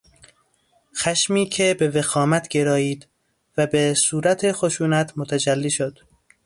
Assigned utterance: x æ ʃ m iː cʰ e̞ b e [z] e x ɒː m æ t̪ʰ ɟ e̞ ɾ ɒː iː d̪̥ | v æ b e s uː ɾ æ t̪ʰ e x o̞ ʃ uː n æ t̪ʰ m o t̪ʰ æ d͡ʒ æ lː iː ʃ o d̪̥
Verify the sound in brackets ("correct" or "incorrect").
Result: incorrect